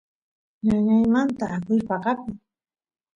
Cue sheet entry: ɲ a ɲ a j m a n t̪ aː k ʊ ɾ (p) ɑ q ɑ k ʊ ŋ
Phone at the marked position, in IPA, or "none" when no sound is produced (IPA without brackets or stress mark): p